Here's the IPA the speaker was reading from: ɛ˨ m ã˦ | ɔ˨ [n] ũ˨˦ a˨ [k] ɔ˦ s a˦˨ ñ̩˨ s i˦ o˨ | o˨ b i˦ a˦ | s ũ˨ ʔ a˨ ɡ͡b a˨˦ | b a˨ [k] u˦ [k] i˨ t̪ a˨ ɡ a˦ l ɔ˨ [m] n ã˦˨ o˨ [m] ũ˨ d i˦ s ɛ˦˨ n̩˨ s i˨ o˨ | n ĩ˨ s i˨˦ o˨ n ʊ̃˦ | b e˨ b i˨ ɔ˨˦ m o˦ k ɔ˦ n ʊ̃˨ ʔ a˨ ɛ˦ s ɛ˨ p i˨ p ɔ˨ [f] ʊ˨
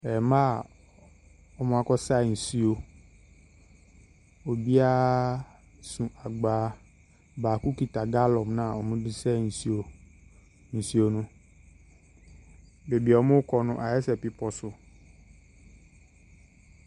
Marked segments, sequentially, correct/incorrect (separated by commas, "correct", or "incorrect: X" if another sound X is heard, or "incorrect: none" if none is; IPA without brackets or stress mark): incorrect: m, correct, correct, correct, correct, correct, incorrect: s